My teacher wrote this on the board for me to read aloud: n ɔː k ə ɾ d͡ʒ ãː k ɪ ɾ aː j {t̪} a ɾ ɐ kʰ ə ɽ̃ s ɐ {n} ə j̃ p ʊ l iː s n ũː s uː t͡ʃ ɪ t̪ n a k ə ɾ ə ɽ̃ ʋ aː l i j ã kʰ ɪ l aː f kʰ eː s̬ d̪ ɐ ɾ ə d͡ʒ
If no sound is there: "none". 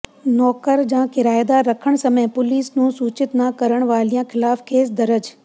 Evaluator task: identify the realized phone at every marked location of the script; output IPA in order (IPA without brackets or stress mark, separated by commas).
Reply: d̪, m